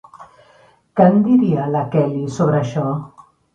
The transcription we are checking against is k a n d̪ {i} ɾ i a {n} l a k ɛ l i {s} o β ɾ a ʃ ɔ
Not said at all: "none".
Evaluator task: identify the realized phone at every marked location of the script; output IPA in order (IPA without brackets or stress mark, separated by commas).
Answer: i, none, s